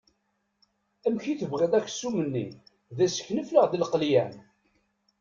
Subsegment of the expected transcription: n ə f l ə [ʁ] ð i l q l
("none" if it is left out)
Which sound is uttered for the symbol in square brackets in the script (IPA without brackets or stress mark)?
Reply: ʁ